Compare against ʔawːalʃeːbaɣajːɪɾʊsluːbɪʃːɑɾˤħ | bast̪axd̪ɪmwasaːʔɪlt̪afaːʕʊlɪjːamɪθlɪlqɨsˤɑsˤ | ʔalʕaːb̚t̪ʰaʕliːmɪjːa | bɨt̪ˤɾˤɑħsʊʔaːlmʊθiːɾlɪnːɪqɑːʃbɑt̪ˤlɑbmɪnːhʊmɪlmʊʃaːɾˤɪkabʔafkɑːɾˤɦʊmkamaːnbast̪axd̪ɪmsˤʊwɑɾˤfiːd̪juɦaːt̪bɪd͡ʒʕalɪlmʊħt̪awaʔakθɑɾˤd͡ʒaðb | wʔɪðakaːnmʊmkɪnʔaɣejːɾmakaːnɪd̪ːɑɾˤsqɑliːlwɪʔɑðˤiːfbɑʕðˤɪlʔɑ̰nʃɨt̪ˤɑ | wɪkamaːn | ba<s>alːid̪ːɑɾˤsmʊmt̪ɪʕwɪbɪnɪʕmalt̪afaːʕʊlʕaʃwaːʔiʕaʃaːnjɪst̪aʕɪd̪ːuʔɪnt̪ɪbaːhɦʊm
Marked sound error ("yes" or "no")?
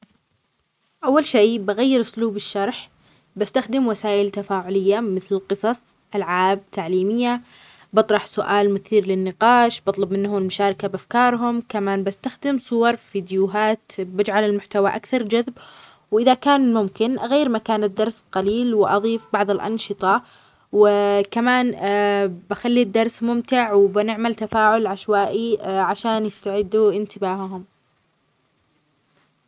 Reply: yes